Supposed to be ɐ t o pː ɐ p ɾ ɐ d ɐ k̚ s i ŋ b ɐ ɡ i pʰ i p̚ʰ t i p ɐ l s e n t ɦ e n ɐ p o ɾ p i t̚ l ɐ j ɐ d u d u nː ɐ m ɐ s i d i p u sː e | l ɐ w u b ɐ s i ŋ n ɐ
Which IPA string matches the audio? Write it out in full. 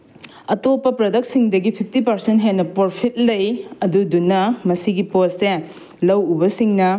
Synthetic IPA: ɐ t o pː ɐ p ɾ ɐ d ɐ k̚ s i ŋ d ɐ ɡ i pʰ i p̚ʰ t i p ɐ ɾ s e n t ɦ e n ɐ p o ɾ pʰ i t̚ l ɐ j ɐ d u d u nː ɐ m ɐ s i ɡ i p o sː e | l ɐ w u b ɐ s i ŋ n ɐ